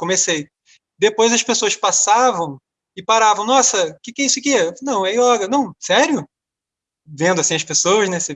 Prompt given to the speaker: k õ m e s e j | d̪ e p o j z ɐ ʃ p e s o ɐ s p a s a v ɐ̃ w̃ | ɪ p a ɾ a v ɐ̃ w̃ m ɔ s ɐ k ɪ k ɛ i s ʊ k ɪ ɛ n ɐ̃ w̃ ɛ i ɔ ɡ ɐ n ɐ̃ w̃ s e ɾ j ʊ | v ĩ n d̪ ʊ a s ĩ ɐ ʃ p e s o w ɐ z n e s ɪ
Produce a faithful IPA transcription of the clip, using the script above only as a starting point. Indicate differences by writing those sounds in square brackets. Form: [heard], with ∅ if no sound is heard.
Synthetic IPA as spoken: k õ m e s e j | d̪ e p o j z ɐ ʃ p e s o ɐ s p a s a v ɐ̃ w̃ | ɪ p a ɾ a v ɐ̃ w̃ [n] ɔ s ɐ k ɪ k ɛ i s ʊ k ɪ ɛ n ɐ̃ w̃ ɛ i ɔ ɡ ɐ n ɐ̃ w̃ s [ɛ] ɾ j ʊ | v [ẽ] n d̪ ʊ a s ĩ ɐ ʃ p e s o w ɐ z n e s ɪ